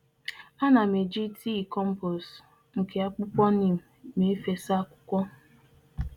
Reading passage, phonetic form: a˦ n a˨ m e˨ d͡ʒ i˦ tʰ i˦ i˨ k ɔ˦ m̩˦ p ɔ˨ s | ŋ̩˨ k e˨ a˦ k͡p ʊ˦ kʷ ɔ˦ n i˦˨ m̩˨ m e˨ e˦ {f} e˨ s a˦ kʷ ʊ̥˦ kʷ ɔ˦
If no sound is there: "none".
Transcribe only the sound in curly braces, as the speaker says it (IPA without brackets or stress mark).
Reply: f